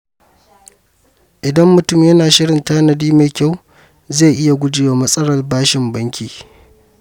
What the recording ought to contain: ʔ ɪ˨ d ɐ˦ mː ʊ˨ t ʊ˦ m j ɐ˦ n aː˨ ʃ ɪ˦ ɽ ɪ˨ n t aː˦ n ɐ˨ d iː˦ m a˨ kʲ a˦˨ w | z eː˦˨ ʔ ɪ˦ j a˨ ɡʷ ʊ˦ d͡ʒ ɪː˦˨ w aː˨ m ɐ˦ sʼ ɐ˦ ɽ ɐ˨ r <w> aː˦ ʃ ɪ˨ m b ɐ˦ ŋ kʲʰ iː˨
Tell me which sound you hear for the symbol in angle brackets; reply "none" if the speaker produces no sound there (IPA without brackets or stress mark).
b